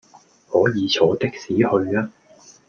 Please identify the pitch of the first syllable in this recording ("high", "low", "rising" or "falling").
rising